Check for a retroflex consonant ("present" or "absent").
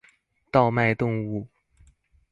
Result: absent